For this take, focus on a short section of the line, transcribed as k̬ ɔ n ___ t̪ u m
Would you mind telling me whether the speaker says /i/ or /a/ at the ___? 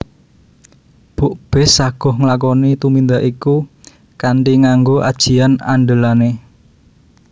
i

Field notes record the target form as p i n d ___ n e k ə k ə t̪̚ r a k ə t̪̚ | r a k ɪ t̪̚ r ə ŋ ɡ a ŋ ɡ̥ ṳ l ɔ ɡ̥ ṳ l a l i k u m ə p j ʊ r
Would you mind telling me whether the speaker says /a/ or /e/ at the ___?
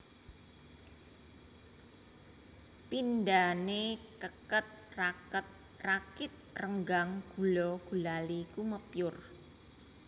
a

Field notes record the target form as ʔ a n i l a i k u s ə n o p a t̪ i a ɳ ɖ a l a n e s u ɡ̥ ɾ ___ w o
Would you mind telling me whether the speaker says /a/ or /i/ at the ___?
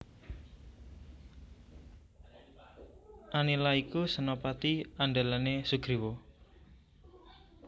i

